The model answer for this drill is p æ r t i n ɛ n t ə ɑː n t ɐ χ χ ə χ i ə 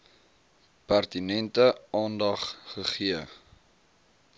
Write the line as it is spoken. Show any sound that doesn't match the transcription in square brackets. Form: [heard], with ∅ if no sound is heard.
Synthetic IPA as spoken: p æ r t i n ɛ n t ə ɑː n [d] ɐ χ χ ə χ i ə